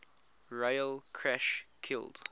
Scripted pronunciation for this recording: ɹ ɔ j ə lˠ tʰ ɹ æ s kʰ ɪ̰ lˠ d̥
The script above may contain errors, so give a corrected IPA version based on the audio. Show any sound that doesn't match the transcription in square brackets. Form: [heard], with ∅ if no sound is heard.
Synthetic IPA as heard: ɹ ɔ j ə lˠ [kʰ] ɹ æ [ʃ] kʰ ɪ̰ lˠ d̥